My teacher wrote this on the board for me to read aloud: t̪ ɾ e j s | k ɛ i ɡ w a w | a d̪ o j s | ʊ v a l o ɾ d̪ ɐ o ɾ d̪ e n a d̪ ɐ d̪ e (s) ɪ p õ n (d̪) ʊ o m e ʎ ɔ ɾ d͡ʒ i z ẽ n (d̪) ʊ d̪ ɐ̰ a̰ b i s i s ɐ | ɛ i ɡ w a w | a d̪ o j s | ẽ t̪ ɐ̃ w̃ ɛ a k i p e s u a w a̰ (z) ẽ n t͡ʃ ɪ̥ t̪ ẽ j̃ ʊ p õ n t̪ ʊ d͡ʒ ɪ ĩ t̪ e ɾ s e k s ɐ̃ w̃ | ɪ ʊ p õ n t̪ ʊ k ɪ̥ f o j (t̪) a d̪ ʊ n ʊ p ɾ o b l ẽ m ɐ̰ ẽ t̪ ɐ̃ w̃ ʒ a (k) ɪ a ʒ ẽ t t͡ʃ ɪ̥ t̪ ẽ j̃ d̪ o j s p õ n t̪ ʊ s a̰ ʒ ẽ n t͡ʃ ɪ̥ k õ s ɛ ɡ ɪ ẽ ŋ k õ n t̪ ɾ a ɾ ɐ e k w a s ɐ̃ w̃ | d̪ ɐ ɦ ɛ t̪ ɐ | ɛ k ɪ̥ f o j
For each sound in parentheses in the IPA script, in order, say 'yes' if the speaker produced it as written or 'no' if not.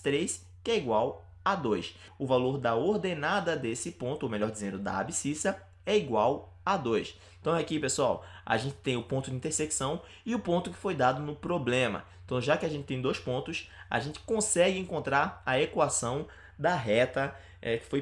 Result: yes, no, yes, no, no, yes

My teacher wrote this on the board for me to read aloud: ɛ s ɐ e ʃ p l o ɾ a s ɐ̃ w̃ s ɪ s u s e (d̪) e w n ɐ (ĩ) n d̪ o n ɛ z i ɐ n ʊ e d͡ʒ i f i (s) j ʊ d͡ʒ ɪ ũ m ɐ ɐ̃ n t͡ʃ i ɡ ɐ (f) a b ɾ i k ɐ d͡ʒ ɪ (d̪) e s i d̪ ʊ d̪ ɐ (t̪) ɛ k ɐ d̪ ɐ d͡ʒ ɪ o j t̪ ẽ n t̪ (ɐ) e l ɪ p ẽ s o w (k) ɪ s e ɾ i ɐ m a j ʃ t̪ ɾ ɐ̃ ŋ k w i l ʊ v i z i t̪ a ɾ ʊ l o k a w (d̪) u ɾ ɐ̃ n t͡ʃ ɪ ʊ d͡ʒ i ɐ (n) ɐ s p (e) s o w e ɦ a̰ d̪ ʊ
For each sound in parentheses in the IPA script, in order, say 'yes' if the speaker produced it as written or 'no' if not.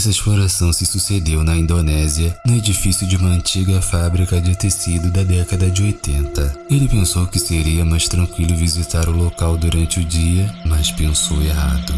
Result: yes, yes, yes, yes, no, no, yes, yes, yes, no, no

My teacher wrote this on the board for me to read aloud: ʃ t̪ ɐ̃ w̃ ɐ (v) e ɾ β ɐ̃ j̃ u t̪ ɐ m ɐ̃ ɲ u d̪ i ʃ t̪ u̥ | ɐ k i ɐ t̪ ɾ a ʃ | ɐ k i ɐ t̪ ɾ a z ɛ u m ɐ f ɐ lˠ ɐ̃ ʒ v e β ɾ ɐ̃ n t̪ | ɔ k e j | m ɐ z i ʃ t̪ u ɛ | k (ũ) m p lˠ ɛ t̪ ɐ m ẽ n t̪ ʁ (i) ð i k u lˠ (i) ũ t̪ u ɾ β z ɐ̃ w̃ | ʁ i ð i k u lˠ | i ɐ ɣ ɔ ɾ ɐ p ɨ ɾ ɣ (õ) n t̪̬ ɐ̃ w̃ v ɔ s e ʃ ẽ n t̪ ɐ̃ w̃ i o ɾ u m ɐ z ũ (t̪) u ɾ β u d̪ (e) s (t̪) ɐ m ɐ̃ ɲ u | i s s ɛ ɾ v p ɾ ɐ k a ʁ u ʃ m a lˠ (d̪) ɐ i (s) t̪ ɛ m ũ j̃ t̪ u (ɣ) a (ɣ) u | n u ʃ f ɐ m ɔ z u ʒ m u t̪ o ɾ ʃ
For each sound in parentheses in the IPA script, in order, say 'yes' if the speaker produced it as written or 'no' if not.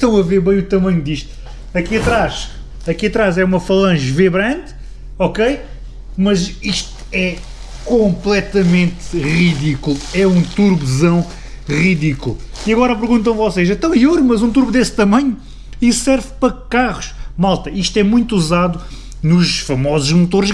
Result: yes, no, yes, no, no, yes, yes, yes, no, no, no, no

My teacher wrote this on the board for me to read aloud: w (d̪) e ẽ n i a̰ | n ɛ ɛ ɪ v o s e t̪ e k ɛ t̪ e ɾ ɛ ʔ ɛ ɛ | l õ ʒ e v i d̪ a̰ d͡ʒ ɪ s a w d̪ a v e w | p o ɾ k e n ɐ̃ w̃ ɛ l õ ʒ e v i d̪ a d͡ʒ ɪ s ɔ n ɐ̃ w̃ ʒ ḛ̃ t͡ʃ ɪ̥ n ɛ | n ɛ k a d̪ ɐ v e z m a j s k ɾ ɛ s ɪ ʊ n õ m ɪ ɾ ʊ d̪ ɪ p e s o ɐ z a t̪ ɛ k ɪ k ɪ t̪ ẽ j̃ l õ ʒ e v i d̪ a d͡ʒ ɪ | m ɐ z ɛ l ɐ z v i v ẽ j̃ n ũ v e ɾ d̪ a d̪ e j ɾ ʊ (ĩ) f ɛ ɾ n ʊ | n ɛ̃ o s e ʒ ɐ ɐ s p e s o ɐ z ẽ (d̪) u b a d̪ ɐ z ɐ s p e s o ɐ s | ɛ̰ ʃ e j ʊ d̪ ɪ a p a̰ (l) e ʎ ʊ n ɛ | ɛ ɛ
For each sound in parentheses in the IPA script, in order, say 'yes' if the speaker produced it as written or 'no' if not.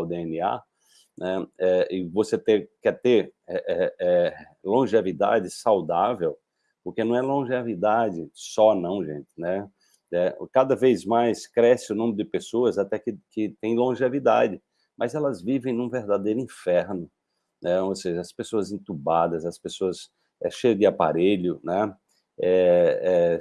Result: yes, yes, no, no

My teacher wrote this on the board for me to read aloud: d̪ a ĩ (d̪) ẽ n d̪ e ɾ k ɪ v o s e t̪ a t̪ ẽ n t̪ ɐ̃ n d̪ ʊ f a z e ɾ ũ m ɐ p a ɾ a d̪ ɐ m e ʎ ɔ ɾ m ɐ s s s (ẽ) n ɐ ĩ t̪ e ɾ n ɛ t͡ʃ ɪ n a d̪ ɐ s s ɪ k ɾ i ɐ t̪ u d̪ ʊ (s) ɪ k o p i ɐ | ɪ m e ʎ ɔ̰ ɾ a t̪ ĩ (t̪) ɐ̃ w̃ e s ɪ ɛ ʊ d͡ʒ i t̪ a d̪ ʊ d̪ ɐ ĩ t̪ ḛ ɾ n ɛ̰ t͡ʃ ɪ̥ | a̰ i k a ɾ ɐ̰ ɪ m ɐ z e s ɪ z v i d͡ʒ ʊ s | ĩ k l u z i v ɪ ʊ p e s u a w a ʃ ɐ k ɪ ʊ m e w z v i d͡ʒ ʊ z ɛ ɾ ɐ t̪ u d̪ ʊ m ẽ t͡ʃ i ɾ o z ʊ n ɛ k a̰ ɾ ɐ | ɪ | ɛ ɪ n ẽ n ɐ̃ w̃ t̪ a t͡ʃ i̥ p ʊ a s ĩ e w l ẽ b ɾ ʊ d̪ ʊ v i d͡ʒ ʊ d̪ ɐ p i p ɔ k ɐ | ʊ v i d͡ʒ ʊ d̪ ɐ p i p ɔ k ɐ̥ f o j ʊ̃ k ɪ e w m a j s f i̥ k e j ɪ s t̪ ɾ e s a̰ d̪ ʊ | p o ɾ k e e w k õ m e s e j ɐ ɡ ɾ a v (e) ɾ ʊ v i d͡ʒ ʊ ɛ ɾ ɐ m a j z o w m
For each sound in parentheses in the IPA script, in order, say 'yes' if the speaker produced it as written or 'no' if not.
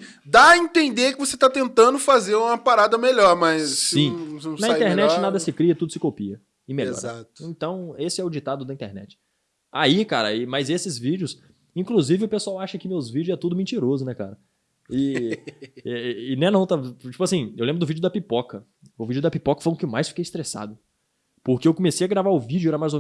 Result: no, no, yes, yes, no

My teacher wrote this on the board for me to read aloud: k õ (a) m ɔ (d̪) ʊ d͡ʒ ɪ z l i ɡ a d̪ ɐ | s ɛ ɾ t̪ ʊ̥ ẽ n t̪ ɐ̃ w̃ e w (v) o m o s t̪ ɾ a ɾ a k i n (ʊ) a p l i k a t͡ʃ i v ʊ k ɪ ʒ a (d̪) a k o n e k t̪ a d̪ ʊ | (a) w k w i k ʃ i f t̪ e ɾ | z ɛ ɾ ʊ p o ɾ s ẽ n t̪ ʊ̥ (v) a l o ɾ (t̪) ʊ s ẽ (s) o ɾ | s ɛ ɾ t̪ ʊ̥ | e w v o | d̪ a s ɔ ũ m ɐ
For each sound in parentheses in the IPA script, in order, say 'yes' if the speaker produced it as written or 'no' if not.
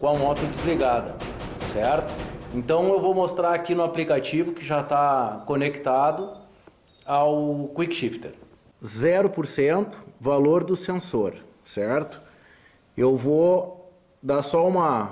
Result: no, no, yes, yes, no, yes, yes, no, yes

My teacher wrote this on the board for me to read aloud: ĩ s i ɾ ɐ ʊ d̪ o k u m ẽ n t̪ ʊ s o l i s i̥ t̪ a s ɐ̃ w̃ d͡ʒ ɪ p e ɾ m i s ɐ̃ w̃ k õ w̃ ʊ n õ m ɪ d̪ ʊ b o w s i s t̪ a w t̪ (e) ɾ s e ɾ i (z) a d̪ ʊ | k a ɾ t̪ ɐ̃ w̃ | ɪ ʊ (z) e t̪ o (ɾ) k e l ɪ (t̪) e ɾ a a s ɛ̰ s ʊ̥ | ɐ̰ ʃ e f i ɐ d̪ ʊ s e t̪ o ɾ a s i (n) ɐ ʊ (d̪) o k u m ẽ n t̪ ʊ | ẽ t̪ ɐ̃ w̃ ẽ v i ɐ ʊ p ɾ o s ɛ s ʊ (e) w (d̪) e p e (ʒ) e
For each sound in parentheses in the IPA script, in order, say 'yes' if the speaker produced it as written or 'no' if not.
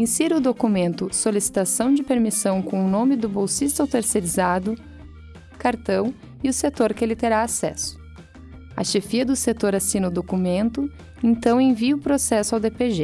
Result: yes, yes, no, yes, yes, yes, yes, no, yes, yes

